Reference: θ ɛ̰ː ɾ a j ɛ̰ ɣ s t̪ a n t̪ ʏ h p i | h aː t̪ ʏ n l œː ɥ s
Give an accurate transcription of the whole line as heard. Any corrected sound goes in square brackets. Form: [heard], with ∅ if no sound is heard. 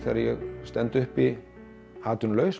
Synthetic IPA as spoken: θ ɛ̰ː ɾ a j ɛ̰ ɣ s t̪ [ɛ] n t̪ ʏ h p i | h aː t̪ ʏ n l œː ɥ s